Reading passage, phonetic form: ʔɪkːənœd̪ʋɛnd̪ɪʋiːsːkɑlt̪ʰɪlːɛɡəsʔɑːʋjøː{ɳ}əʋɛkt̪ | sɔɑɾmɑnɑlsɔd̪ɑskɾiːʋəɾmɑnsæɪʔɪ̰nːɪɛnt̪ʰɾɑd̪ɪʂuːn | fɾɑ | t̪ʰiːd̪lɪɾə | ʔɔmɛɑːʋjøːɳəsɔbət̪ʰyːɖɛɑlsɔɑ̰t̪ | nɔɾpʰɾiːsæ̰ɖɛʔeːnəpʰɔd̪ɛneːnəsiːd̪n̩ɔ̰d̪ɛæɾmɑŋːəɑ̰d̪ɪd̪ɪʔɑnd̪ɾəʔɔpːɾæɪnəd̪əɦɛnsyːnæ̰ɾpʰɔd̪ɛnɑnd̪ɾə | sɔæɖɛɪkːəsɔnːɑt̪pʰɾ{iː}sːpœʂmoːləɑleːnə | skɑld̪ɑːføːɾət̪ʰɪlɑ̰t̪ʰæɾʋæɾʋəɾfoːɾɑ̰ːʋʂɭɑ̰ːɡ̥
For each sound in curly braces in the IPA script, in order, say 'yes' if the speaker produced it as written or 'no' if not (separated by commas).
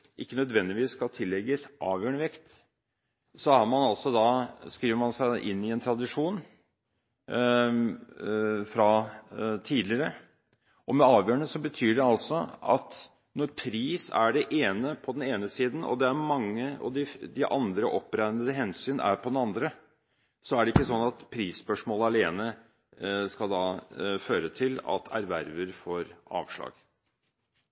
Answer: yes, yes